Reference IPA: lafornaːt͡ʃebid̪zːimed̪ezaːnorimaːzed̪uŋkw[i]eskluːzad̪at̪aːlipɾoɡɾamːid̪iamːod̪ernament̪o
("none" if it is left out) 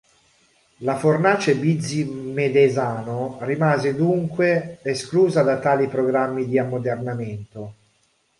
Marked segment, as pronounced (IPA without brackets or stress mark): e